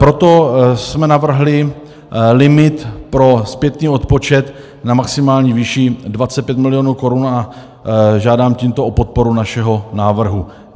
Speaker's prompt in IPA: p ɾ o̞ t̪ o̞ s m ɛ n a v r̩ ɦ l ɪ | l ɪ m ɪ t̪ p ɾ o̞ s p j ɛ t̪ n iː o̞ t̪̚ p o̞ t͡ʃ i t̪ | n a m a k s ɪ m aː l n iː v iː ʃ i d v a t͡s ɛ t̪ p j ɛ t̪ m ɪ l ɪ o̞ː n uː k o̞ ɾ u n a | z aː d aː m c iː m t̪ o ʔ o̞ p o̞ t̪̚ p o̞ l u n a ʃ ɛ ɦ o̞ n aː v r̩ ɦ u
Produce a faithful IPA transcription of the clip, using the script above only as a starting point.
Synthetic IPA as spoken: p ɾ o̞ t̪ o̞ s m ɛ n a v r̩ ɦ l ɪ | l ɪ m ɪ t̪ p ɾ o̞ s p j ɛ t̪ n iː o̞ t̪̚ p o̞ t͡ʃ ɛ t̪ | n a m a k s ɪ m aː l ɲ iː v iː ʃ i d v a t͡s ɛ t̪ p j ɛ t̪ m ɪ l ɪ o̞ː n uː k o̞ ɾ u n a | ʒ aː d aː m c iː m t̪ o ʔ o̞ p o̞ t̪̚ p o̞ ɾ u n a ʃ ɛ ɦ o̞ n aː v r̩ ɦ u